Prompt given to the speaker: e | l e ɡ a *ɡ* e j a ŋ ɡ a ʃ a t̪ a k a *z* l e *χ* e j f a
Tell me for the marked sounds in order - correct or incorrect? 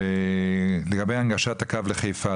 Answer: incorrect: b, incorrect: v, correct

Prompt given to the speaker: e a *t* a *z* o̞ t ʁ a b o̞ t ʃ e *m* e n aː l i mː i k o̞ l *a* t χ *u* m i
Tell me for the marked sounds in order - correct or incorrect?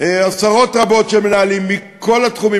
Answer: incorrect: s, incorrect: ʁ, correct, correct, correct

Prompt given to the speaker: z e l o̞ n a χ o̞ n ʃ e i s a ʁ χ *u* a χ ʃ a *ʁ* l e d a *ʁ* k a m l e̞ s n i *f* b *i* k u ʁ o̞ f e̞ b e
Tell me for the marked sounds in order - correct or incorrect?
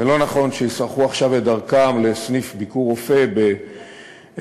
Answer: correct, incorrect: v, correct, correct, correct

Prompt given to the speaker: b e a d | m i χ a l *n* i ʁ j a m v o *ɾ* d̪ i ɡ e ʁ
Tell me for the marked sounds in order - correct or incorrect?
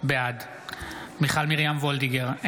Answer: incorrect: m, incorrect: l

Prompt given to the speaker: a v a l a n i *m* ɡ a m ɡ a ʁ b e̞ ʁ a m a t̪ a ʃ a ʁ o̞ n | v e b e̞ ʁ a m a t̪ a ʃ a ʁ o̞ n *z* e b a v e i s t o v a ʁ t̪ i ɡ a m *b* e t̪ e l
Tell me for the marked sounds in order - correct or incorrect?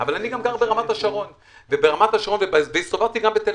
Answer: incorrect: none, incorrect: v, correct

